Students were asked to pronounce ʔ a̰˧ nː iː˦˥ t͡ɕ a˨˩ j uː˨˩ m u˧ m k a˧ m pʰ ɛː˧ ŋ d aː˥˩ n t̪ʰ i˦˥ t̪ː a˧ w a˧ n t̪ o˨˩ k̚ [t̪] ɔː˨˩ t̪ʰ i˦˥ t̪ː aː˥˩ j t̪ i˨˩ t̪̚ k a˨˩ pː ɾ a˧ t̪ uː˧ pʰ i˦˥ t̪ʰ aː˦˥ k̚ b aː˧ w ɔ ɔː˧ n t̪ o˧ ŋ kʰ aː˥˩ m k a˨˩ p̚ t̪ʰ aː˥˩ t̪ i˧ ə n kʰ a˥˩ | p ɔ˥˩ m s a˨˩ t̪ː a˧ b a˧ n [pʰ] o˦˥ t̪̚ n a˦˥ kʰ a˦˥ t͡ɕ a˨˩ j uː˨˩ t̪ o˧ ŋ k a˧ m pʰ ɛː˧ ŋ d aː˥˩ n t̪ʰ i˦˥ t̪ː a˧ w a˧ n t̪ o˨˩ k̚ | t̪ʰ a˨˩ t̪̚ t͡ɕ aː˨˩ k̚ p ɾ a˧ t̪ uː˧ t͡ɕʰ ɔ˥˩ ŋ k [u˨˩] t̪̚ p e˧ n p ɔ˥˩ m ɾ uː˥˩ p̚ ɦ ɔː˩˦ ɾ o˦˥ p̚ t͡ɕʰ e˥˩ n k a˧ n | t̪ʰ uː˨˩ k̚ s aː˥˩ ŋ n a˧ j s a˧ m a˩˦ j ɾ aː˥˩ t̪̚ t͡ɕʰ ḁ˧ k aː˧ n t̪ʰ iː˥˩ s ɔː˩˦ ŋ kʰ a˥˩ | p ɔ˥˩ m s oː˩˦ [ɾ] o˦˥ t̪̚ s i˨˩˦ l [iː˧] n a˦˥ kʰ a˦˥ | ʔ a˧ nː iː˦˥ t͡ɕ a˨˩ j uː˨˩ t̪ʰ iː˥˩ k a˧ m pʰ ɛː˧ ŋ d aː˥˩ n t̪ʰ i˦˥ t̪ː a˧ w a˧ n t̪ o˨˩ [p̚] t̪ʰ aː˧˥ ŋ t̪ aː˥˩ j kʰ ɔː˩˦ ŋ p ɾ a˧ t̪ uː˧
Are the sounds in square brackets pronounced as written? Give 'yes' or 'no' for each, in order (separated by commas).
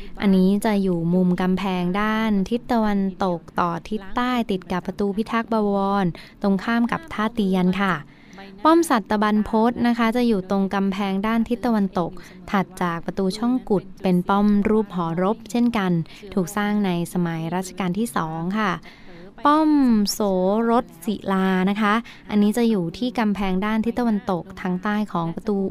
yes, yes, yes, yes, no, no